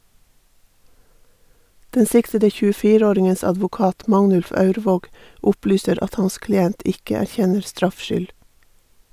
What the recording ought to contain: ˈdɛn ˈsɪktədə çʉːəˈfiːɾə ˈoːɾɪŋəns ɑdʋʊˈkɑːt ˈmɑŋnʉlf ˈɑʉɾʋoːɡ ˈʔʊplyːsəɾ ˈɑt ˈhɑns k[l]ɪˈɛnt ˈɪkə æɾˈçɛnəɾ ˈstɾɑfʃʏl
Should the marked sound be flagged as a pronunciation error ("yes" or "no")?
no